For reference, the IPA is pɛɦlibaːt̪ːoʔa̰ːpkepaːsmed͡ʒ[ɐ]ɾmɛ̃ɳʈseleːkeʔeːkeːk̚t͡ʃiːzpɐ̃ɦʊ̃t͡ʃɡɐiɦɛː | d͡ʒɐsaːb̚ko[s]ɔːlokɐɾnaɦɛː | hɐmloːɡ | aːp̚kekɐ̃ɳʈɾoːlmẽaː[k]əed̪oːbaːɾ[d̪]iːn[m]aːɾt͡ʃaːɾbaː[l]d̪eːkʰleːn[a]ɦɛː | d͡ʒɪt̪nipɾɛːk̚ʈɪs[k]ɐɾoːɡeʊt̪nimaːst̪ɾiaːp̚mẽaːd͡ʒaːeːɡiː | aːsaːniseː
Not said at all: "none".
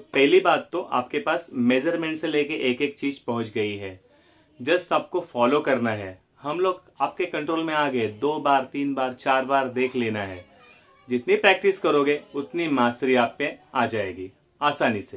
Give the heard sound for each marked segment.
ə, f, ɡ, t̪, b, ɾ, a, k

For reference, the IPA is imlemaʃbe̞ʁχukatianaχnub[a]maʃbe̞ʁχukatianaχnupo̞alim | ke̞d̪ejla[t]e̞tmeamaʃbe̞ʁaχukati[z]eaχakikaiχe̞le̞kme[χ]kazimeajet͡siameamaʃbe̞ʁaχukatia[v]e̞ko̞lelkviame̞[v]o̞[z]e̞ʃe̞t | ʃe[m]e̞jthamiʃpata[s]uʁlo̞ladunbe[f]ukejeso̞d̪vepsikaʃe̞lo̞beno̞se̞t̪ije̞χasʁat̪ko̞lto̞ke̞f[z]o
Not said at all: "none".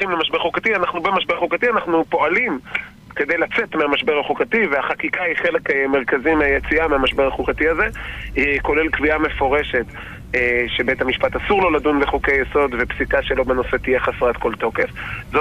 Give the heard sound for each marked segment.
e, t͡s, v, ʁ, z, f, ʁ, b, s, χ, z

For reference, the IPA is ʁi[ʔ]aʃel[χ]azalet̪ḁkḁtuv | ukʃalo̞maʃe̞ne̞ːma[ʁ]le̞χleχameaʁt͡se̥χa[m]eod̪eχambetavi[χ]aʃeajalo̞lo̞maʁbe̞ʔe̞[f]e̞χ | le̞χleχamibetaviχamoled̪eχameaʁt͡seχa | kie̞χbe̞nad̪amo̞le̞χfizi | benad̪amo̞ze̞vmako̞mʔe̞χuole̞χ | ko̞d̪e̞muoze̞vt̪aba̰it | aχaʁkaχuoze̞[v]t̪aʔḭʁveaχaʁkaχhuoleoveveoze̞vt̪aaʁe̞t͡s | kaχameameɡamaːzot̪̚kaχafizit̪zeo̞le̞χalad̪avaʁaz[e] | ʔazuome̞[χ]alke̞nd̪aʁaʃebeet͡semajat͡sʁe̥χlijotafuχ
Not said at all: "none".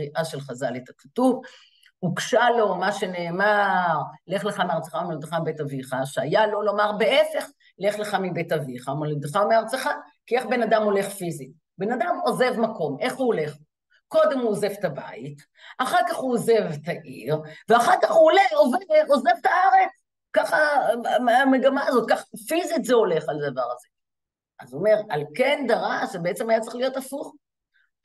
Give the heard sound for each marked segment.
ʔ, χ, ʁ, m, χ, f, v, e, ʁ

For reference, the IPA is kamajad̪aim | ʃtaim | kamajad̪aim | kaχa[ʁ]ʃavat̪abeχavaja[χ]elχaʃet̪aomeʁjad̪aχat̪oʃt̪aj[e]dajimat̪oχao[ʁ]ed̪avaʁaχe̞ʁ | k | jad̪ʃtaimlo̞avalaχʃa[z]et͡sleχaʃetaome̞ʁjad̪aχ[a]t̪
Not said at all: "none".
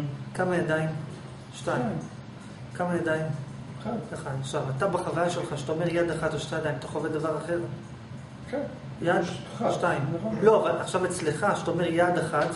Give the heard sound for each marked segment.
χ, ʃ, a, v, v, a

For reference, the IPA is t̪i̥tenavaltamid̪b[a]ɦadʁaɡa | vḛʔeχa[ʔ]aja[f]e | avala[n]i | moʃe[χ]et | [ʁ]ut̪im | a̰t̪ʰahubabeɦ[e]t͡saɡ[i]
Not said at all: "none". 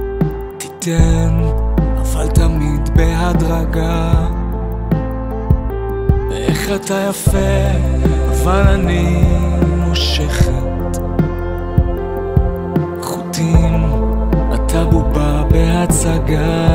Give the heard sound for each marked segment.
e, t, f, n, χ, χ, a, a

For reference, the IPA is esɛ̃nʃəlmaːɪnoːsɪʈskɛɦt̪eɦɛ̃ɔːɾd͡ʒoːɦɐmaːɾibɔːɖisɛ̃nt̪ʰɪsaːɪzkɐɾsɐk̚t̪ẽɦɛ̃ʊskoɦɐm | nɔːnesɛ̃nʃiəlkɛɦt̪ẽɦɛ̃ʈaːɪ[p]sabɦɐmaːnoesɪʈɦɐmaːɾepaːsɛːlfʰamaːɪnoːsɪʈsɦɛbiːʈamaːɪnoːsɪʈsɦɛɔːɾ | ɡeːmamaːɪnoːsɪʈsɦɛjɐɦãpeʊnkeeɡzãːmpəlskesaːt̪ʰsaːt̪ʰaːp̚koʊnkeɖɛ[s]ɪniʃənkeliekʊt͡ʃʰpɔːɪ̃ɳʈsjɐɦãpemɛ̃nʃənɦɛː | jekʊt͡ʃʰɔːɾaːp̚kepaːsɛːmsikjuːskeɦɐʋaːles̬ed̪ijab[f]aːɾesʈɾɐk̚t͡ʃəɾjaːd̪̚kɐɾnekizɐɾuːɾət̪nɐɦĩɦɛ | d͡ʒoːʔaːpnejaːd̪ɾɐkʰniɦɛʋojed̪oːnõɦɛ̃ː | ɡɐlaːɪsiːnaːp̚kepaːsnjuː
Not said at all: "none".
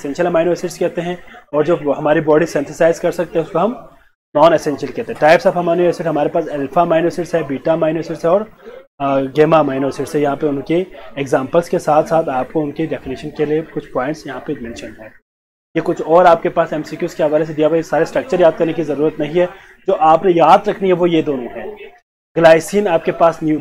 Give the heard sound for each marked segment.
p, f, s

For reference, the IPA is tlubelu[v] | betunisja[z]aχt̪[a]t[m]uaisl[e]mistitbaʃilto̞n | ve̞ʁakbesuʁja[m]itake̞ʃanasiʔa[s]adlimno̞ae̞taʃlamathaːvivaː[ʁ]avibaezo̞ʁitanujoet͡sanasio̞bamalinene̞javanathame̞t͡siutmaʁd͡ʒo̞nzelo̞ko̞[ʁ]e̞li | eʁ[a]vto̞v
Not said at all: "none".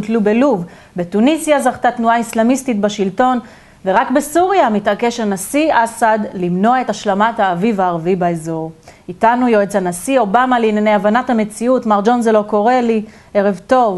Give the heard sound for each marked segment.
v, z, a, n, a, m, s, ʁ, ʁ, e

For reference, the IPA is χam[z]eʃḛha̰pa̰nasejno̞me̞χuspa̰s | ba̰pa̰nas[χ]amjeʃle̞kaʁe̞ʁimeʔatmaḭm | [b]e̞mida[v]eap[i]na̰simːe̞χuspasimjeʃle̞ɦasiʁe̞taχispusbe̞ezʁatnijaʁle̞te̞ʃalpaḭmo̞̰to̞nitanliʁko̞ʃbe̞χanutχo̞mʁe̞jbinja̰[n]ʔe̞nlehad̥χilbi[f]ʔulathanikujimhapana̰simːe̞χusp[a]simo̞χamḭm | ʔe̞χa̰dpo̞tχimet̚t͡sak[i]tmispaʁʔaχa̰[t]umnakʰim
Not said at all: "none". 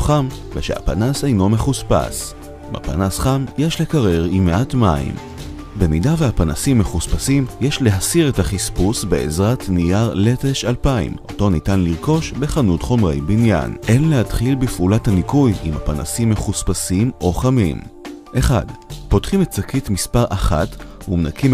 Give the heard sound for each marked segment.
v, χ, b, v, a, n, f, a, i, t

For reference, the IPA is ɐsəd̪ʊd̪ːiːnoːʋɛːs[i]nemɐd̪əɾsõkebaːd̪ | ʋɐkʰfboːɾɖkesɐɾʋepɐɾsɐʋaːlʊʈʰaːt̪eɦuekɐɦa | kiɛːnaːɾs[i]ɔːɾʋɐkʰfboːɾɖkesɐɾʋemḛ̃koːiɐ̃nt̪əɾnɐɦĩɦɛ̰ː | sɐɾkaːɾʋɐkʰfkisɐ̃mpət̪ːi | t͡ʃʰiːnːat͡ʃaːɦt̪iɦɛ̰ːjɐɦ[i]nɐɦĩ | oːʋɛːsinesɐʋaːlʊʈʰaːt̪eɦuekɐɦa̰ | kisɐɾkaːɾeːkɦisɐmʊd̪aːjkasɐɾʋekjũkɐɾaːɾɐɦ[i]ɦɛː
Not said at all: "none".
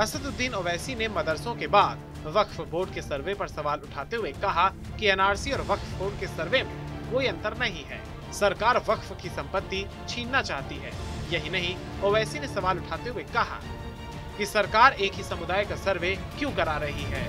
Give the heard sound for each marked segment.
i, i, i, i

